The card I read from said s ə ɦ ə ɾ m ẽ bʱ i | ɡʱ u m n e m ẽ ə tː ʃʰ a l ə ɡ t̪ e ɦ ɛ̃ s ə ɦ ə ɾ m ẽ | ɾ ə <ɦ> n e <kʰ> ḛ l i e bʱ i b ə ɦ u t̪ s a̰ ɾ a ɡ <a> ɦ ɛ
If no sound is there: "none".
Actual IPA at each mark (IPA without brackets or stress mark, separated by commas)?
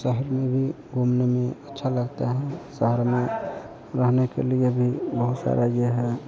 ɦ, k, e